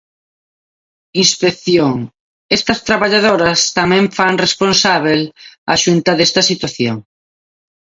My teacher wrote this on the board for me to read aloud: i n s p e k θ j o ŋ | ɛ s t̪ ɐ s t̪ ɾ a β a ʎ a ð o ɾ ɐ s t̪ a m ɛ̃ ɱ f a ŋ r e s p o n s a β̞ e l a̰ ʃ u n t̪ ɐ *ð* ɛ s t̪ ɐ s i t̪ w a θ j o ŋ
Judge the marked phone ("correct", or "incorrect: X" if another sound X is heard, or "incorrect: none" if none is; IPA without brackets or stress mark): correct